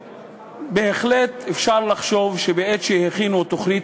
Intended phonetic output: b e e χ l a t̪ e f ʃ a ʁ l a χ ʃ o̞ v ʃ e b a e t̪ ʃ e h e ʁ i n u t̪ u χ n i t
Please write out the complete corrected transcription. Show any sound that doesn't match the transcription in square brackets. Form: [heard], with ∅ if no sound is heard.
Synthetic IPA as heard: b e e χ l [e] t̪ e f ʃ a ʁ l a χ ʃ o̞ v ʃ e b [e] e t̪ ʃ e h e [χ] i n u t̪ [o] χ n i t